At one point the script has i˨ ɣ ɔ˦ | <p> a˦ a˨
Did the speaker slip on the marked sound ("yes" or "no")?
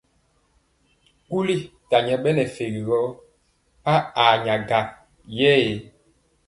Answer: no